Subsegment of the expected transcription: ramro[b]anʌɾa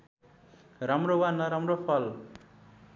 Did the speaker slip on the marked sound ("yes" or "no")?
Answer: yes